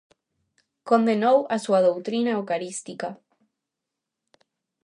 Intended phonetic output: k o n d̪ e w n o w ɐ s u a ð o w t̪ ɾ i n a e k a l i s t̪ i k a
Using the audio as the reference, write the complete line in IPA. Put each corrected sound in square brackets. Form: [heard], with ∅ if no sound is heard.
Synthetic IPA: k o n d̪ e [∅] n o w [a] s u a ð o w t̪ ɾ i n a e k a [ɾ] i s t̪ i k a

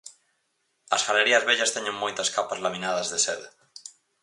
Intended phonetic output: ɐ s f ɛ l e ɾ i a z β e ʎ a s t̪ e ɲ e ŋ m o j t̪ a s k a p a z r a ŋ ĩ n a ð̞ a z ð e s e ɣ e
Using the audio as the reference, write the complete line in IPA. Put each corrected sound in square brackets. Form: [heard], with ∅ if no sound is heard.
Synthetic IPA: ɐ s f [a] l e ɾ i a z β e ʎ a s t̪ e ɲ e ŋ m o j t̪ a s k a p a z [l] a [m] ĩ n a ð̞ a z ð e s e [ð] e

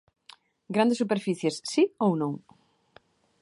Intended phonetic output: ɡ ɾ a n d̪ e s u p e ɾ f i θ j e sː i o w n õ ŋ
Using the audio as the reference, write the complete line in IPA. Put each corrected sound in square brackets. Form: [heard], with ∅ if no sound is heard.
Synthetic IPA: ɡ ɾ a n d̪ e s u p e ɾ f i θ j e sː i o w n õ ŋ

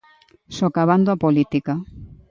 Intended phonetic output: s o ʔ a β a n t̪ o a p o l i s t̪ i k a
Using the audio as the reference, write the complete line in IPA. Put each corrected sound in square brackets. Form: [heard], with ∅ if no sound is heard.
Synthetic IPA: s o [k] a β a n [d̪] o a p o l i [∅] t̪ i k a

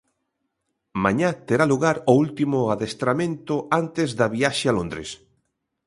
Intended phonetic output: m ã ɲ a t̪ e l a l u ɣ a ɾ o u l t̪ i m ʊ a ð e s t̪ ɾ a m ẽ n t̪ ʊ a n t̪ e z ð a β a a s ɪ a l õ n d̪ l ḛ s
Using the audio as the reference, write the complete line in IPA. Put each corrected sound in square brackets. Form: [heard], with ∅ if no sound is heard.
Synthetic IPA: m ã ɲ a t̪ e [ɾ] a l u ɣ a ɾ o u l t̪ i m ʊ a ð e s t̪ ɾ a m ẽ n t̪ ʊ a n t̪ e z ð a β [i] a [ʃ] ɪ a l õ n d̪ [ɾ] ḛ s

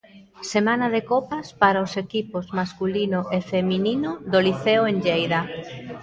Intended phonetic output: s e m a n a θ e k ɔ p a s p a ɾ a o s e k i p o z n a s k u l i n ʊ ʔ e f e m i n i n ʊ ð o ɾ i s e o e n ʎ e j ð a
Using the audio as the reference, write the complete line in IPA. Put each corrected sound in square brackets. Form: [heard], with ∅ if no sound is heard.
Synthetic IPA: s e m a n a [ð] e k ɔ p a s p a ɾ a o s e k i p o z [m] a s k u l i n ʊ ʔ e f e m i n i n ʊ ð o [l] i [θ] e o e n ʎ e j ð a

